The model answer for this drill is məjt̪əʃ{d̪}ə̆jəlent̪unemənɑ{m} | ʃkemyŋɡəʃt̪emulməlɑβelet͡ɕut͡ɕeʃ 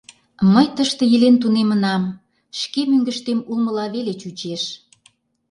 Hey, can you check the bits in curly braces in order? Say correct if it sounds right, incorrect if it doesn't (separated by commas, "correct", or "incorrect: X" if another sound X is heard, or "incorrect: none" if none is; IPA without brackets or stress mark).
incorrect: t̪, correct